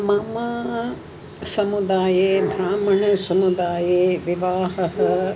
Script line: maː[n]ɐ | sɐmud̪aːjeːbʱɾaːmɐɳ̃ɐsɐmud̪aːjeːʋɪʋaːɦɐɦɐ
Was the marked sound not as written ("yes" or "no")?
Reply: yes